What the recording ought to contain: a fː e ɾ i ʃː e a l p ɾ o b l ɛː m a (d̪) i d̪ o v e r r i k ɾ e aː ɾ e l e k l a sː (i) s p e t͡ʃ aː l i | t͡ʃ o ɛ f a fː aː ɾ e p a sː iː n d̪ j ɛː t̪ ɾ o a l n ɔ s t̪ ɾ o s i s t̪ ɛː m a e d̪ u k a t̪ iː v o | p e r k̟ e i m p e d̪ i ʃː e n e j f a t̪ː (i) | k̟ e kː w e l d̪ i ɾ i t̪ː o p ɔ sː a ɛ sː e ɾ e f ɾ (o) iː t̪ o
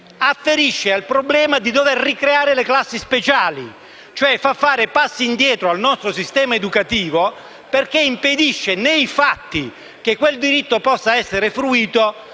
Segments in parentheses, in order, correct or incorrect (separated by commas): correct, correct, correct, incorrect